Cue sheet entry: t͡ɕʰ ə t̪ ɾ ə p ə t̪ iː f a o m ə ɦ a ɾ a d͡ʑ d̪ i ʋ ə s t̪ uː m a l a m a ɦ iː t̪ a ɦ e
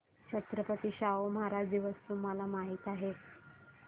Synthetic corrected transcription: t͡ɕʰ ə t̪ ɾ ə p ə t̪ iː ɕ a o m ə ɦ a ɾ a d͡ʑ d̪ i ʋ ə s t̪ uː m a l a m a ɦ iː t̪ a ɦ e